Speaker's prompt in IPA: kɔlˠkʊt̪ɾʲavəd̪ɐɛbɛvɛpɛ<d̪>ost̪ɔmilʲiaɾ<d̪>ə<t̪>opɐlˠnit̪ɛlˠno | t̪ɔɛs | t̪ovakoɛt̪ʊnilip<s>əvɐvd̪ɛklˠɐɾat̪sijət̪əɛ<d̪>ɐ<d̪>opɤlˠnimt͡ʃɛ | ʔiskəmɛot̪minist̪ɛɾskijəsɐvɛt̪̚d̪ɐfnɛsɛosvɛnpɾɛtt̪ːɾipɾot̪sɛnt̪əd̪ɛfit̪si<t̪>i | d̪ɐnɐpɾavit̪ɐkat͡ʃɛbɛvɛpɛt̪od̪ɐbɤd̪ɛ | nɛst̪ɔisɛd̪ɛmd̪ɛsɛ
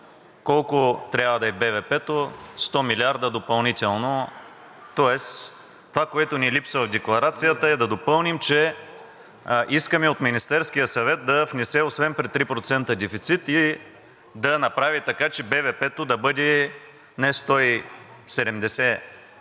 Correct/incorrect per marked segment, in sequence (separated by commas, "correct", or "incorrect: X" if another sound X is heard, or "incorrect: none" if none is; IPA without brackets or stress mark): incorrect: t̪, correct, incorrect: d̪, correct, correct, correct, correct